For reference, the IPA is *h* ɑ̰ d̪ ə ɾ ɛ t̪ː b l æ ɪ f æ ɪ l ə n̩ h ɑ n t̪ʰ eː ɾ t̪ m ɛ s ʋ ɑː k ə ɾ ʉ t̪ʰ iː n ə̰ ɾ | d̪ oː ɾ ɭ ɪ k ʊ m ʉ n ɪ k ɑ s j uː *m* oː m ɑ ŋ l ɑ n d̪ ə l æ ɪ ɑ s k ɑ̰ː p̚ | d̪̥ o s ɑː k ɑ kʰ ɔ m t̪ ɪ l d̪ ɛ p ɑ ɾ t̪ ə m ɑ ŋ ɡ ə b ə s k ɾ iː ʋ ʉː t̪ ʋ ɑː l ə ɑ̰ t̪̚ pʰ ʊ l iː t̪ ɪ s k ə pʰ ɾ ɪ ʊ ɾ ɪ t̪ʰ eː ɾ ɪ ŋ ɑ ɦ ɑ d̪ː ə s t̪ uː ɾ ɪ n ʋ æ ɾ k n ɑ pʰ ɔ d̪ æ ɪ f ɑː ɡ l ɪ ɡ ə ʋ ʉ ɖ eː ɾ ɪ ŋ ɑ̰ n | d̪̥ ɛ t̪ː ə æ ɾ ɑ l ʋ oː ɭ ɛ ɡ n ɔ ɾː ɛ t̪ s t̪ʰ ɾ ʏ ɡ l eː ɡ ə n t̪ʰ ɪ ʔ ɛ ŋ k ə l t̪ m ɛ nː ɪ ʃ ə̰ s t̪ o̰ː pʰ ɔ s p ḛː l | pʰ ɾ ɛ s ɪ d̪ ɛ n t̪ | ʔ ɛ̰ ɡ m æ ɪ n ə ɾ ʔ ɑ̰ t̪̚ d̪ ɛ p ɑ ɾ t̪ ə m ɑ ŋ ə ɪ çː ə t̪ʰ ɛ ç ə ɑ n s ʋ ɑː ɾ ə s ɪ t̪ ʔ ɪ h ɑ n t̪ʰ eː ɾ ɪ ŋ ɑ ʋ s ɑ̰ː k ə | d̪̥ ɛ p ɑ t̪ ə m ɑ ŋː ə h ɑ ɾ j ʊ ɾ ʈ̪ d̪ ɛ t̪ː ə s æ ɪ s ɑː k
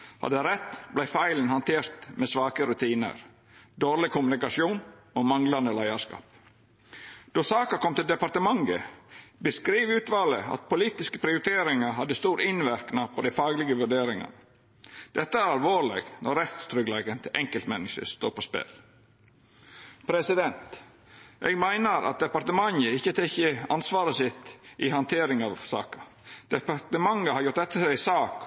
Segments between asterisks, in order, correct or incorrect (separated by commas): correct, incorrect